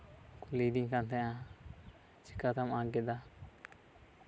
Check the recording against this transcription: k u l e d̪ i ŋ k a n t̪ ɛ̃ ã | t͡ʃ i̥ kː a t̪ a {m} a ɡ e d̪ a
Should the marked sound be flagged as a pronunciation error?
no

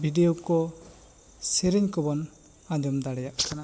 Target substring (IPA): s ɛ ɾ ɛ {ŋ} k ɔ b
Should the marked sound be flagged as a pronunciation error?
yes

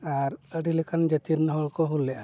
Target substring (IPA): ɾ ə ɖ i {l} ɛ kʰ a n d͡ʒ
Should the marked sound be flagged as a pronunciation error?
no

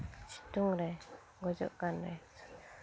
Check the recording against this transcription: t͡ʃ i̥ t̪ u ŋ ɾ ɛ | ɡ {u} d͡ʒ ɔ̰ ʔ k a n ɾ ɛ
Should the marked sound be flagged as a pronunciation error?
yes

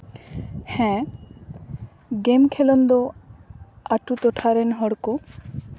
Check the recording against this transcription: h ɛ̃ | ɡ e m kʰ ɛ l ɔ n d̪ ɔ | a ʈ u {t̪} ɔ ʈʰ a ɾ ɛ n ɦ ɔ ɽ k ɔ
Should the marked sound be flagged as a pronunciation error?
no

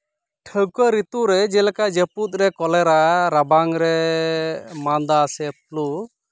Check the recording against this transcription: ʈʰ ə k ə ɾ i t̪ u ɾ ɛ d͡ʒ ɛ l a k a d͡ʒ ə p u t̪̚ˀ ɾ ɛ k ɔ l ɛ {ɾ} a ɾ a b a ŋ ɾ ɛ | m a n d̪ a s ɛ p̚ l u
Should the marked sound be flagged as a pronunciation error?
no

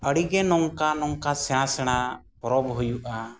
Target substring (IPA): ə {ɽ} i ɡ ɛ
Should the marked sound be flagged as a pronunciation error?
no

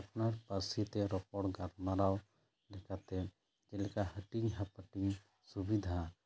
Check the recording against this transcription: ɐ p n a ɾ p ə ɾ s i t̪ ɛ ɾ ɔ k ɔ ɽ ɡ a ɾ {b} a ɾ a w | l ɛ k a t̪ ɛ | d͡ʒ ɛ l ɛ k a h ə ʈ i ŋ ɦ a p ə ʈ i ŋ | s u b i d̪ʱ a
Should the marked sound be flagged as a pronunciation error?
yes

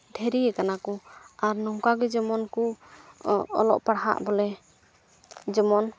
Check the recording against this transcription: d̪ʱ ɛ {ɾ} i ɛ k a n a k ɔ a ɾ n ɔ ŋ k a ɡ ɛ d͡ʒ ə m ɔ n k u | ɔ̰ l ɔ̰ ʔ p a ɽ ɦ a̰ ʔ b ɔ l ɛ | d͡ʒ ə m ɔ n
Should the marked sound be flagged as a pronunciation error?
no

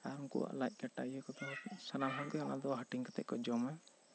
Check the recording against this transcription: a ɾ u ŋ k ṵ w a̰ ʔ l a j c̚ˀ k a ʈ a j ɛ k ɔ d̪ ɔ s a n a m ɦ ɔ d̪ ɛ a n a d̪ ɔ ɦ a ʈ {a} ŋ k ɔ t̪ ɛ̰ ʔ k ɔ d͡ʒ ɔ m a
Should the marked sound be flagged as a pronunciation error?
yes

